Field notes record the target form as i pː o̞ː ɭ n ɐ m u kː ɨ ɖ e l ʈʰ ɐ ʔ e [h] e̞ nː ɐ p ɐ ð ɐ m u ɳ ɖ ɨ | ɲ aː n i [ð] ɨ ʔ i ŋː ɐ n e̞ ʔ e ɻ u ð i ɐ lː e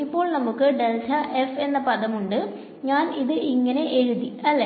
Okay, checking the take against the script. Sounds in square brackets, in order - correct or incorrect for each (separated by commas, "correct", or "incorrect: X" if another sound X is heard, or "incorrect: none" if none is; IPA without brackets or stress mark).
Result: incorrect: f, correct